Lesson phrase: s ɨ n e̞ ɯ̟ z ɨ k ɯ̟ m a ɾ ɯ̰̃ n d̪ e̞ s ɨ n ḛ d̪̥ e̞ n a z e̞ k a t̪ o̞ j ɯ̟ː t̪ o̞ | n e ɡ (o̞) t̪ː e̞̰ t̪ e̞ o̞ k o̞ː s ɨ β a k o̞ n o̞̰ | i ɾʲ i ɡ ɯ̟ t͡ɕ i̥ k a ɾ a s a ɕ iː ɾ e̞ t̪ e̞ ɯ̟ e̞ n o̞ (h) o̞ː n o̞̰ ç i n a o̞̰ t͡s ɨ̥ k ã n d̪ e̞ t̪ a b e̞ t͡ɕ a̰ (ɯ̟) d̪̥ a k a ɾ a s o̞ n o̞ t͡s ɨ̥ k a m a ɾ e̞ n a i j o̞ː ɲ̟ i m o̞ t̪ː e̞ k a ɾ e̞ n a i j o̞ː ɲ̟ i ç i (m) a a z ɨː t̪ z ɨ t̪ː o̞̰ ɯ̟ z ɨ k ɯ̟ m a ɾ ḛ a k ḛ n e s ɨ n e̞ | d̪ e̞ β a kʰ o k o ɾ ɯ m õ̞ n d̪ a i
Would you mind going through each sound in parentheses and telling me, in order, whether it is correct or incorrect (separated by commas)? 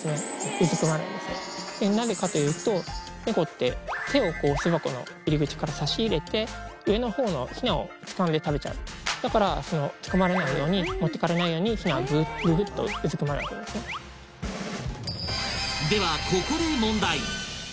correct, correct, correct, incorrect